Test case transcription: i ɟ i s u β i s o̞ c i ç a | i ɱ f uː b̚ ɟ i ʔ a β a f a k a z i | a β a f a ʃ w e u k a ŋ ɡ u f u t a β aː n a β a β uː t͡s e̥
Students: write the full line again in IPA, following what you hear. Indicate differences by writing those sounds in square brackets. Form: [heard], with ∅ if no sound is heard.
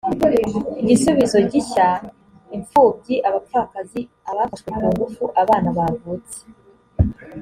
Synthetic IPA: i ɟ i s u β i [z] o̞ [ɟ] i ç a | i ɱ f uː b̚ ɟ i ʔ a β a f a k a z i | a β a f a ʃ w e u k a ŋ ɡ u f u [ʔ] a β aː n a β a [v] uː t͡s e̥